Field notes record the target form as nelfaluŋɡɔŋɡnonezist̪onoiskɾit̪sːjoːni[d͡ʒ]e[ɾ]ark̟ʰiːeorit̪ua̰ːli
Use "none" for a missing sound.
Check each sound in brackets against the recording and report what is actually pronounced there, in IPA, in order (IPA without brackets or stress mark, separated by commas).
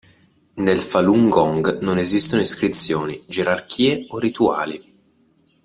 d͡ʒ, ɾ